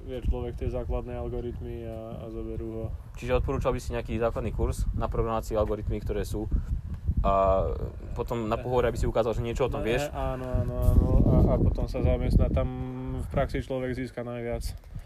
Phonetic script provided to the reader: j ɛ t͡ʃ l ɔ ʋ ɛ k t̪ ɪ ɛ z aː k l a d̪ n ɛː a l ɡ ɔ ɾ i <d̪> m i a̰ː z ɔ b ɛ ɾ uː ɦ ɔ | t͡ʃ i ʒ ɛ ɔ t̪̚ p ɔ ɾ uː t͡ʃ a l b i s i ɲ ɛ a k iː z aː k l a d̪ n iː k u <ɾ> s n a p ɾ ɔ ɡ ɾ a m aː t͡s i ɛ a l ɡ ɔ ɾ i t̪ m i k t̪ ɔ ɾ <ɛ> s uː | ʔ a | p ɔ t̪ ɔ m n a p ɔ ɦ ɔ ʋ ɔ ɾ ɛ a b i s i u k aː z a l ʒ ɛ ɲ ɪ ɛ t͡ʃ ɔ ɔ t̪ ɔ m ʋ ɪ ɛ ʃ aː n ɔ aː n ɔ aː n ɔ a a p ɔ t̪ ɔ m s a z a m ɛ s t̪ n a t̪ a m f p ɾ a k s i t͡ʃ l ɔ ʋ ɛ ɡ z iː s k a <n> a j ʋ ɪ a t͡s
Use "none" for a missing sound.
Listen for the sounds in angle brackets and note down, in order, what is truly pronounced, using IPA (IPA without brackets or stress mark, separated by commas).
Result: t̪, ɾ, ɛː, n